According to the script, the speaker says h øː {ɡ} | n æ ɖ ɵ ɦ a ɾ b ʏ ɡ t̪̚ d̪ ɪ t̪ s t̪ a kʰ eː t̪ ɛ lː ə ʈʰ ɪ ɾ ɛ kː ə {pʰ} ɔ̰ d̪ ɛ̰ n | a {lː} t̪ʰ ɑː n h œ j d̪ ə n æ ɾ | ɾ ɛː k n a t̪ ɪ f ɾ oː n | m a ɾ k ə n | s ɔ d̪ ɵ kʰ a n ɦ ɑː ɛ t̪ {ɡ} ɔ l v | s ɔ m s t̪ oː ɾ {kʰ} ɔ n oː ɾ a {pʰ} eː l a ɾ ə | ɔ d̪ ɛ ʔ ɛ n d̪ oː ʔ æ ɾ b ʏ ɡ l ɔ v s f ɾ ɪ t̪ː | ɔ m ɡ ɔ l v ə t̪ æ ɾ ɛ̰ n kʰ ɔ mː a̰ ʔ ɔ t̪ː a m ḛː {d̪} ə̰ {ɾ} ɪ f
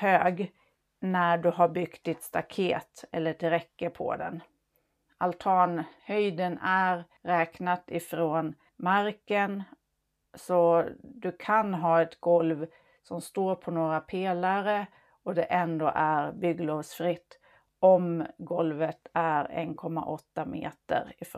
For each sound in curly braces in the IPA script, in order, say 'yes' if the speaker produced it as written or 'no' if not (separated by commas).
yes, yes, no, yes, no, yes, no, yes